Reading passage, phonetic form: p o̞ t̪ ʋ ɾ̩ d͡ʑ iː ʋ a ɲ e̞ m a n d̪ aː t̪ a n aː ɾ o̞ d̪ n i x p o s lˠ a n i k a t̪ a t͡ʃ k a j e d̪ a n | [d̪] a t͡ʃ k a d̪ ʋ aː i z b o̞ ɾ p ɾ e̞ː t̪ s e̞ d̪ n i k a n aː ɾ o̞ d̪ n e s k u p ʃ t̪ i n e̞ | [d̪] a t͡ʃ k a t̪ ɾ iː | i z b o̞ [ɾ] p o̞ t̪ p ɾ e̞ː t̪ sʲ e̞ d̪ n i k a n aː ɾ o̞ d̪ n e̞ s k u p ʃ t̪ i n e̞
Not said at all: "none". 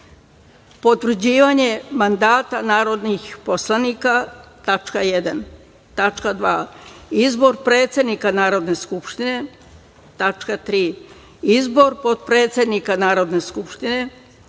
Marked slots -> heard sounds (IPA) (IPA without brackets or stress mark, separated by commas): t̪, t̪, ɾ